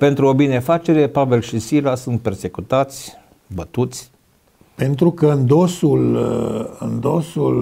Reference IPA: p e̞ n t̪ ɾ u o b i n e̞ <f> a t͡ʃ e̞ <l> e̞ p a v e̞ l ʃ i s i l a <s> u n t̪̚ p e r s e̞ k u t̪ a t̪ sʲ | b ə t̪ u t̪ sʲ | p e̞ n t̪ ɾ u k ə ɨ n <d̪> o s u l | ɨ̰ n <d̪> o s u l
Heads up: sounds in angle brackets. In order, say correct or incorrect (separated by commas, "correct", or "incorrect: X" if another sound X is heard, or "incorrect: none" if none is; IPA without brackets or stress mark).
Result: correct, incorrect: ɾ, correct, correct, correct